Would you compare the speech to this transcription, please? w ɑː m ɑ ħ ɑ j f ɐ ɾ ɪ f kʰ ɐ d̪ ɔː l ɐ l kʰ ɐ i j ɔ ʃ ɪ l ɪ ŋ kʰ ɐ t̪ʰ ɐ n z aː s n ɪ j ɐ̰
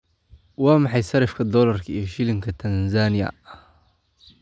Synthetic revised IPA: w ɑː m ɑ ħ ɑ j s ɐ ɾ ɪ f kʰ ɐ d̪ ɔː l ɐ r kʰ ɐ i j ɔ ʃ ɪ l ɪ ŋ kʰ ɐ t̪ʰ ɐ n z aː n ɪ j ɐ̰